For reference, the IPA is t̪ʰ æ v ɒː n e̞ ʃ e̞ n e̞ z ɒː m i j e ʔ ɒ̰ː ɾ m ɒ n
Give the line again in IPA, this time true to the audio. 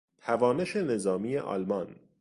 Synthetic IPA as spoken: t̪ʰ æ v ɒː n e̞ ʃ e̞ n e̞ z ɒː m i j e ʔ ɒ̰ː l m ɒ n